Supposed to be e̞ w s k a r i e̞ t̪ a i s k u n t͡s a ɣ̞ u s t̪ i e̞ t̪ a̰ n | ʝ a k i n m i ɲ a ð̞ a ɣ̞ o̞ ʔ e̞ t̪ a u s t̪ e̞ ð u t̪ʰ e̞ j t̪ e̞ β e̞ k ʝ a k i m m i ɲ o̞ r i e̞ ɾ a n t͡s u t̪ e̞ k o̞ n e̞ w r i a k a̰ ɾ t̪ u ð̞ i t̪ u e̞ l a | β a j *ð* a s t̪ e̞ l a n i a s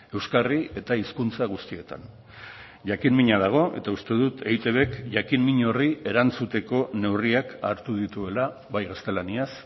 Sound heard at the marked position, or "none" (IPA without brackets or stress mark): ɣ